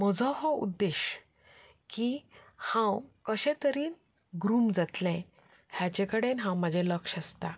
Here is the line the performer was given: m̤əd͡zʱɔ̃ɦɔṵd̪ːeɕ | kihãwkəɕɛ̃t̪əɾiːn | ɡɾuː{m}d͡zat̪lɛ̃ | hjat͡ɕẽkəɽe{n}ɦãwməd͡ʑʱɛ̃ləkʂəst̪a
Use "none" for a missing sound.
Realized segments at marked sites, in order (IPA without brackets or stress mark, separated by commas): m, n